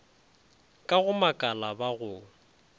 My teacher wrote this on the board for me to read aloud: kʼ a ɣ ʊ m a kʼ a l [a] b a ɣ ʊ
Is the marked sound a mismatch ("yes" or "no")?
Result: no